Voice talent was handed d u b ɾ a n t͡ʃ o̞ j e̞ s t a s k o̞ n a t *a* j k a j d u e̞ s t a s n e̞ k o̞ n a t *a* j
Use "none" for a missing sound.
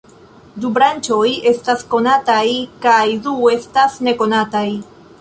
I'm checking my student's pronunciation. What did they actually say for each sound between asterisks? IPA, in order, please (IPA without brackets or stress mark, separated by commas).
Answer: a, a